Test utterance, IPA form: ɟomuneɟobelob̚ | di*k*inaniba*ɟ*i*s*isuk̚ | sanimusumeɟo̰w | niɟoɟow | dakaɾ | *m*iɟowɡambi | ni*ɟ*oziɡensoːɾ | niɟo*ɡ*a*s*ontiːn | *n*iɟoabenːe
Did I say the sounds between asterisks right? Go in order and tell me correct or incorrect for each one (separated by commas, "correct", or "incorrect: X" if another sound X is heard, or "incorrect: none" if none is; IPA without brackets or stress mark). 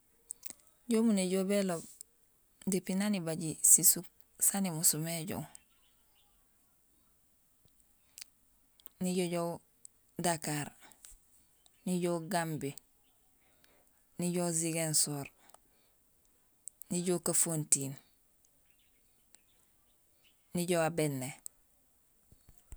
incorrect: p, correct, correct, incorrect: n, correct, incorrect: k, incorrect: f, correct